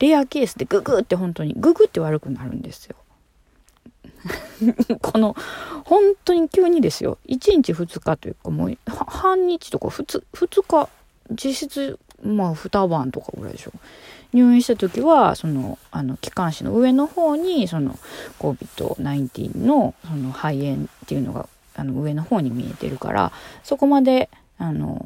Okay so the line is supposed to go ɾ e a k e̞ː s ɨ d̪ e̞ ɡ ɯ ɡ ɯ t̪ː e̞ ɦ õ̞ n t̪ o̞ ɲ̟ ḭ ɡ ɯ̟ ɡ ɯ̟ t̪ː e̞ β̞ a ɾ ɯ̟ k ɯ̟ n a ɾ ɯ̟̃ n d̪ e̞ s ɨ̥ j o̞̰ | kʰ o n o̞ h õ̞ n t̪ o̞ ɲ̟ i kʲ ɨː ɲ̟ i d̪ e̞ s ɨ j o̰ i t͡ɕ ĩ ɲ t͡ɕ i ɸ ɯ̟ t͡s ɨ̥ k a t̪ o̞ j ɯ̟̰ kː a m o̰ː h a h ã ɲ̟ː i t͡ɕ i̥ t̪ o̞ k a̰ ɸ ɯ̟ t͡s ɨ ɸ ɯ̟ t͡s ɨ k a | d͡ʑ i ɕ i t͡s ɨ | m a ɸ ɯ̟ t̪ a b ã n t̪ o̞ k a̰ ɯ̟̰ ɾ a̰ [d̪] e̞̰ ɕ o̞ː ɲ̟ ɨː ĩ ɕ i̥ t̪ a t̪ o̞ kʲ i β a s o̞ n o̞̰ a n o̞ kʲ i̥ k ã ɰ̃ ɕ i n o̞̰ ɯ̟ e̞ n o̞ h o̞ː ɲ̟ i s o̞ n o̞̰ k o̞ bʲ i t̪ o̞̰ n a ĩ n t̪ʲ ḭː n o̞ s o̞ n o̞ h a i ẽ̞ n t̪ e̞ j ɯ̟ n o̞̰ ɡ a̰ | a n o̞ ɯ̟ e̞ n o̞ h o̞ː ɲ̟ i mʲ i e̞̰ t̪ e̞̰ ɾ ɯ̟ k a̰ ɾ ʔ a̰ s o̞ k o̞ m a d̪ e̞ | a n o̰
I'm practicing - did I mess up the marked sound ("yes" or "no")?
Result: no